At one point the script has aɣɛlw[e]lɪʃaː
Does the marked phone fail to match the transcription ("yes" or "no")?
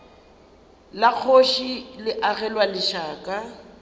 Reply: yes